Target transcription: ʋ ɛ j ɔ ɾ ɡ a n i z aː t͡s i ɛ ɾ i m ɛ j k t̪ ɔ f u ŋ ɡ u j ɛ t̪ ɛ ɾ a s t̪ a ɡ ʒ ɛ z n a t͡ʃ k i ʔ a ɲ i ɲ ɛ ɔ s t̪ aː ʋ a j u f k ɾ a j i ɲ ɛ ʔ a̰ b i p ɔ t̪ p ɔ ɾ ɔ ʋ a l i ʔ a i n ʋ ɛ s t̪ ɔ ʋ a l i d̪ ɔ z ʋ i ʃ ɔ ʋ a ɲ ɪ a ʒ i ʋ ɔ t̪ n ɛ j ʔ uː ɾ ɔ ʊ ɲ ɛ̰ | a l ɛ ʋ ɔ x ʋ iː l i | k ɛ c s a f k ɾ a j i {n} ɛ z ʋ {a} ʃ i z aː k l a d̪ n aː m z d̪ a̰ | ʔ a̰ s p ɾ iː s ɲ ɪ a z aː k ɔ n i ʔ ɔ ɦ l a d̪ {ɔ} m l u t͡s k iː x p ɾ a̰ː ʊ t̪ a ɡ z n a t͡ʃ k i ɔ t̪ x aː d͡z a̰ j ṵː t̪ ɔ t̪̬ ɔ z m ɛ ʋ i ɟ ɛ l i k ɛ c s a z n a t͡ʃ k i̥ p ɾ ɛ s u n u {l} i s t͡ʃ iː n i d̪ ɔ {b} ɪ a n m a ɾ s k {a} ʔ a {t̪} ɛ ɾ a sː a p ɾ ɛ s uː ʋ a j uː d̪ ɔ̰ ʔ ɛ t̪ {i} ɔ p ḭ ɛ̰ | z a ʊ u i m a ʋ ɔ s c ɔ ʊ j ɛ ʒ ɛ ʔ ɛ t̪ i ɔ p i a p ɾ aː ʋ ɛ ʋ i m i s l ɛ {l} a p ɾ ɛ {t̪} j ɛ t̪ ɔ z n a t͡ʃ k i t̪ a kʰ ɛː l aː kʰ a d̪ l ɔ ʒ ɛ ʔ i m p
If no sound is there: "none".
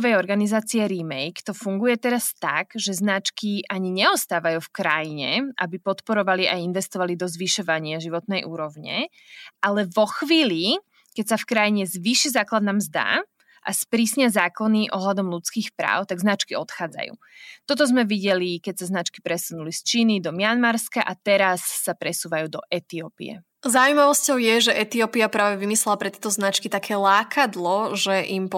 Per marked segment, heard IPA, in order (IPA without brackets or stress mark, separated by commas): ɲ, i, ɔ, l, m, a, t̪, i, l, t̪